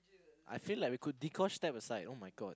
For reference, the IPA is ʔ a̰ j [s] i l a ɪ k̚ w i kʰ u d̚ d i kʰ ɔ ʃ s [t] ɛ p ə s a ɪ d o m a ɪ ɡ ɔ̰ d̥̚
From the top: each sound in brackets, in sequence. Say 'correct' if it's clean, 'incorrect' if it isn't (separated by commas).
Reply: incorrect, correct